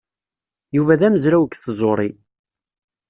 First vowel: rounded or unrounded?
rounded